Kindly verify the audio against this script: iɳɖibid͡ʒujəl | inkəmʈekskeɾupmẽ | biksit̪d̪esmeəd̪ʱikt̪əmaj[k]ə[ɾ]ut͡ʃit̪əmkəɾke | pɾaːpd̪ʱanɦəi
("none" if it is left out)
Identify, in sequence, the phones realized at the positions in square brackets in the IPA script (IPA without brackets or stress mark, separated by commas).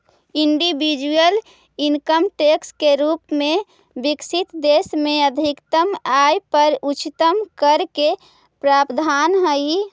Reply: p, ɾ